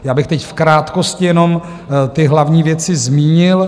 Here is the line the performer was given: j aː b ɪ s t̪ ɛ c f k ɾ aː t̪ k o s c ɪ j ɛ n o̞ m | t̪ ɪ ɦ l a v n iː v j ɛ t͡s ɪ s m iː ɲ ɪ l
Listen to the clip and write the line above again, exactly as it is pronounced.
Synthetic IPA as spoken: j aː b ɪ x t̪ ɛ c f k ɾ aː t̪ k o s c ɪ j ɛ n o̞ m | t̪ ɪ ɦ l a v ɲ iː v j ɛ t͡s ɪ z m iː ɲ ɪ l